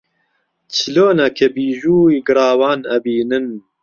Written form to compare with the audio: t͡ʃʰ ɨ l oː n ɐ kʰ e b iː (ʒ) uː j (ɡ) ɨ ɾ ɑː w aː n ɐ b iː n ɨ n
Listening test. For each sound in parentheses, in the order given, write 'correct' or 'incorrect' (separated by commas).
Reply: correct, correct